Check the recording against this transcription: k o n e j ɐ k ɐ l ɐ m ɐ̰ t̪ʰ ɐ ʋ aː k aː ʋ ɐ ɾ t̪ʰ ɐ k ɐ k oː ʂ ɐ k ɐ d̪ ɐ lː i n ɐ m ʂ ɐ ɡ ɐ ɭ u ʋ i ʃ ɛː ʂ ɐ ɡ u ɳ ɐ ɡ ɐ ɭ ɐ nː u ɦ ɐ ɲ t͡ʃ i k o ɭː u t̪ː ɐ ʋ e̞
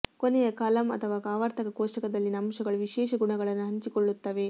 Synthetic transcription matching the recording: k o n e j ɐ k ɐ l ɐ m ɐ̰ t̪ʰ ɐ ʋ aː k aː ʋ ɐ ɾ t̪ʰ ɐ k ɐ k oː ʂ ɐ k ɐ d̪ ɐ lː i n ɐ m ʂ ɐ ɡ ɐ ɭ u ʋ i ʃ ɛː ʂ ɐ ɡ u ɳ ɐ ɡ ɐ ɭ ɐ nː u ɦ ɐ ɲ t͡ʃ i k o ɭː u t̪ː ɐ ʋ e̞